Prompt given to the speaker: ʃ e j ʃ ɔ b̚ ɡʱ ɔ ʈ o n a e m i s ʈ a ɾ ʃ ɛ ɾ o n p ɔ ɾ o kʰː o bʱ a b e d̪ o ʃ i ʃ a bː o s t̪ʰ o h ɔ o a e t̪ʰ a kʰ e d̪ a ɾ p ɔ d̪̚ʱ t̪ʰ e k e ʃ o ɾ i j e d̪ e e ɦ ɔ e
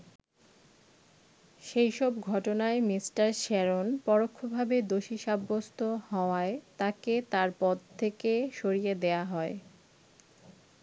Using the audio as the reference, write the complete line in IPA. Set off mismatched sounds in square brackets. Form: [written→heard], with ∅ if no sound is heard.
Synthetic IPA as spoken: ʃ e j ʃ ɔ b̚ ɡʱ ɔ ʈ o n a e m i s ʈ a ɾ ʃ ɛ ɾ o n p ɔ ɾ o kʰː o bʱ a b e d̪ o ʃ i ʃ a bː o s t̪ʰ o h ɔ o a e [t̪ʰ→t̪] a [kʰ→k] e [d̪→t̪] a ɾ p ɔ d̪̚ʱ t̪ʰ e k e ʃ o ɾ i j e d̪ e [e→a] ɦ ɔ e